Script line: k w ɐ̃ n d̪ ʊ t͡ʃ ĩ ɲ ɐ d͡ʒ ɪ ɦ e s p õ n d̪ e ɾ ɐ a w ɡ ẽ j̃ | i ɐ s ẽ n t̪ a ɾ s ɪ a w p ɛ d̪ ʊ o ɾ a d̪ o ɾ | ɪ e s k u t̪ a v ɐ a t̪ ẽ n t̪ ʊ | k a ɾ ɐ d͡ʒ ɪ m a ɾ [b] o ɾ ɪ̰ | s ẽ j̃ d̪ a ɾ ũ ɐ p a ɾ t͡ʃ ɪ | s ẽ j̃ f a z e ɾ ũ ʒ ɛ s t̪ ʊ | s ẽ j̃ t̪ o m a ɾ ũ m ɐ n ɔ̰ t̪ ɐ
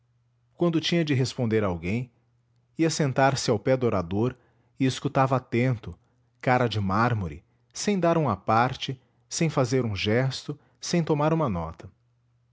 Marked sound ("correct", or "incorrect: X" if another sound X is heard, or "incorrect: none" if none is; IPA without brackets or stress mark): incorrect: m